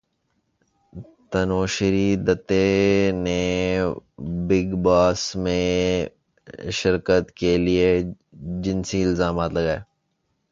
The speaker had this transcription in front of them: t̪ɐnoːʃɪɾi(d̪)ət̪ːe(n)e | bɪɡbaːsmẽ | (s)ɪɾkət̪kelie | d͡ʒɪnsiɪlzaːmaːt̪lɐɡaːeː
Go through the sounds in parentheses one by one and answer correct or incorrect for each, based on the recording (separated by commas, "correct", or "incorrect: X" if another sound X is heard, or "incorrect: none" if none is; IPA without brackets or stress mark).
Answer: correct, correct, incorrect: ʃ